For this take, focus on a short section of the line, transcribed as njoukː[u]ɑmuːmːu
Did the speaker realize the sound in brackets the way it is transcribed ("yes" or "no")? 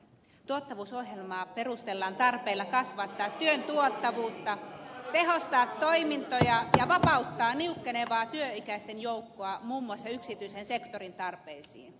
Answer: no